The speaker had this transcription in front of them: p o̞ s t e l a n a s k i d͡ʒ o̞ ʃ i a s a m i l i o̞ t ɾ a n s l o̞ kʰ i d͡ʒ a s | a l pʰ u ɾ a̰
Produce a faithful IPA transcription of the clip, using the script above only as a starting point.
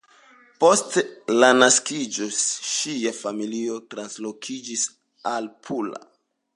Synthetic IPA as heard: p o̞ s t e l a n a s k i d͡ʒ o̞ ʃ i a f a m i l i o̞ t ɾ a n s l o̞ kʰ i d͡ʒ i s | a l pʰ u l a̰